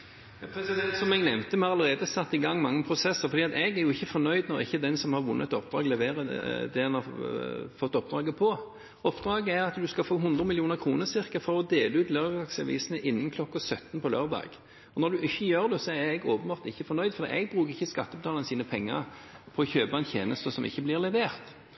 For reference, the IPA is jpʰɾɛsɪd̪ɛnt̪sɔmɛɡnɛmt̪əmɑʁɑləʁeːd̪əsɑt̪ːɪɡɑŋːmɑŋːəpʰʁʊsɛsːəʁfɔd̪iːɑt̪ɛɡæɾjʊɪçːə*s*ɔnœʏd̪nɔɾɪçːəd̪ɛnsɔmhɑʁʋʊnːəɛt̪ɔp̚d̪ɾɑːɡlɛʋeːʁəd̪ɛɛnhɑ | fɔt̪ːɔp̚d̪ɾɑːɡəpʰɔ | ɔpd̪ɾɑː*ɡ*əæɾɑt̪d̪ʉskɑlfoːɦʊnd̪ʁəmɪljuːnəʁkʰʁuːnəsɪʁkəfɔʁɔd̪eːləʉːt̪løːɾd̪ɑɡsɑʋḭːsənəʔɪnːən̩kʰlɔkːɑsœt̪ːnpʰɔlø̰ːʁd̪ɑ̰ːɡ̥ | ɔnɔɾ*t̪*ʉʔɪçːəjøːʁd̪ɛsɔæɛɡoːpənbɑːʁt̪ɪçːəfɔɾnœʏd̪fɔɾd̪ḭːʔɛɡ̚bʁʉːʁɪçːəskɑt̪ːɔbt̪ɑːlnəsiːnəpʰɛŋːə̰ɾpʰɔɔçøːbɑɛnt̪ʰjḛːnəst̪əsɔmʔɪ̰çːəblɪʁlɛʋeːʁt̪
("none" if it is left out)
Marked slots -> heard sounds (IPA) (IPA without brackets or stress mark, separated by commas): f, ɡ, d̪